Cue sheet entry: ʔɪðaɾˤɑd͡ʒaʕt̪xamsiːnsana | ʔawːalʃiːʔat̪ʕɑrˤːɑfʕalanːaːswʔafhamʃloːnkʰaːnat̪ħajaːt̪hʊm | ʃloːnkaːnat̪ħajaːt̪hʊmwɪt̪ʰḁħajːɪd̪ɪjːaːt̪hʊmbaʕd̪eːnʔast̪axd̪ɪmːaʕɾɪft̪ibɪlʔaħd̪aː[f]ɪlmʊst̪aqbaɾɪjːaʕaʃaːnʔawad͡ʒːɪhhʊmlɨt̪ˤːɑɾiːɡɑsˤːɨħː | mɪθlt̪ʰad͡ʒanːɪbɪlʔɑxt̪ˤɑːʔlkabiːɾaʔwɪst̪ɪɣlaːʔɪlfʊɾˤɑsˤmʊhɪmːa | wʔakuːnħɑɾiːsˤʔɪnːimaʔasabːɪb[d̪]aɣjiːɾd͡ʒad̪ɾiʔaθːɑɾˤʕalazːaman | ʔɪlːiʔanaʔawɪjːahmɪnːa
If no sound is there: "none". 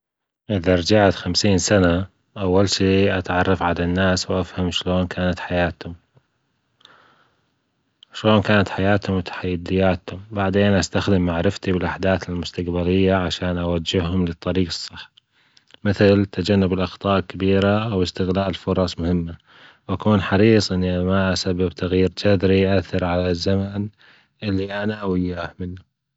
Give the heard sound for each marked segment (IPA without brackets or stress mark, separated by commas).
θ, t̪